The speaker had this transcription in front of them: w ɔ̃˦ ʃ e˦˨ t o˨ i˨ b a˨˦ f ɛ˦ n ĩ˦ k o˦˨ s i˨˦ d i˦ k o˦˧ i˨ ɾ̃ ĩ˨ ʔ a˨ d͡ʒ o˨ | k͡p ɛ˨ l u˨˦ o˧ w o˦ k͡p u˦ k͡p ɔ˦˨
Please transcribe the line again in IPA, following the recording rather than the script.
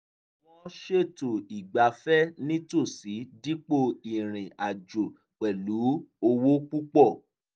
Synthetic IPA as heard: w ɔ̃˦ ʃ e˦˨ t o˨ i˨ ɡ͡b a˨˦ f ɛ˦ n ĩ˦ t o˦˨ s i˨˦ d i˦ k͡p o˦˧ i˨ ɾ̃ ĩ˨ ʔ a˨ d͡ʒ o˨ | k͡p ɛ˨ l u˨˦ o˧ w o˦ k͡p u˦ k͡p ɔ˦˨